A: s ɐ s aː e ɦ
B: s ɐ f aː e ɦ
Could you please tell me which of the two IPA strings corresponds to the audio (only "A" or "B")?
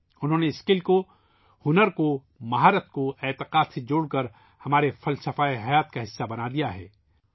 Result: B